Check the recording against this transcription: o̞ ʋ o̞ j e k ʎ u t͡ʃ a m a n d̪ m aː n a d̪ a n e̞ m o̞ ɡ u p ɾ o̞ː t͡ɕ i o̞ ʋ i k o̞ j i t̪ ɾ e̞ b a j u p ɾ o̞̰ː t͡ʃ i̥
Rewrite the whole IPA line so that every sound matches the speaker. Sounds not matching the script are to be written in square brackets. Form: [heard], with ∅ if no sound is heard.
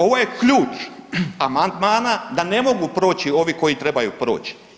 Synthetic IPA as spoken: o̞ ʋ o̞ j e k ʎ [uː] t͡ʃ a m a n d̪ m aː n a d̪ a n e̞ m o̞ ɡ u p ɾ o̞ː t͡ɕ i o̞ ʋ i k o̞ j i t̪ ɾ e̞ b a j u p ɾ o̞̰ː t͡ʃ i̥